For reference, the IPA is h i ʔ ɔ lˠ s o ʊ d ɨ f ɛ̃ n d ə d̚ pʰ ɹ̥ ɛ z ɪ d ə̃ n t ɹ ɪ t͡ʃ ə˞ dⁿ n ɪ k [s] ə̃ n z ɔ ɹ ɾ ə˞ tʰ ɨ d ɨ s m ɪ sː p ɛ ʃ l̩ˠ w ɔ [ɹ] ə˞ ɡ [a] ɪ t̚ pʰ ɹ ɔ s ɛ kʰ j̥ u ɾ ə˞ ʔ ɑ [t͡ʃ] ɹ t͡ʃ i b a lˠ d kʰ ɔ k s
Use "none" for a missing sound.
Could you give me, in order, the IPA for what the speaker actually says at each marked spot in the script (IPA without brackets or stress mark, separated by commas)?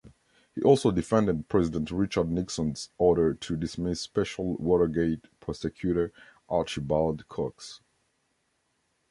s, ɾ, e, none